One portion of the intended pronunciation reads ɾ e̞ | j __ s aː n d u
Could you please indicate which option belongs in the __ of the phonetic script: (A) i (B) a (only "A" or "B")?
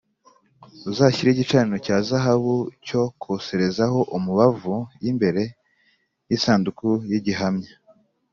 A